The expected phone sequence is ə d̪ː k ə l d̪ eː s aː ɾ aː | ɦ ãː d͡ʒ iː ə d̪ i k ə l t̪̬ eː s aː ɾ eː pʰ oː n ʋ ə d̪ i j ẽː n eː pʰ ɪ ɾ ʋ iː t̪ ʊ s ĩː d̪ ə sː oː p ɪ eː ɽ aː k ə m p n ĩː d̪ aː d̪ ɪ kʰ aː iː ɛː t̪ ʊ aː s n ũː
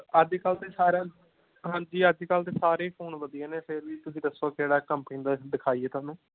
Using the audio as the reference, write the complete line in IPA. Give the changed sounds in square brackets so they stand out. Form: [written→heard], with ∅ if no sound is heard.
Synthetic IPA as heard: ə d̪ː k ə l [d̪→t̪] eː s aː ɾ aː | ɦ ãː d͡ʒ iː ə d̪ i k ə l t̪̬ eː s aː ɾ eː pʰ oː n ʋ ə d̪ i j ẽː n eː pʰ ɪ ɾ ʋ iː t̪ ʊ s ĩː d̪ ə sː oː [p→k] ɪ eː ɽ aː k ə m p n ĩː d̪ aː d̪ ɪ kʰ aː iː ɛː t̪ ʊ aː [s→∅] n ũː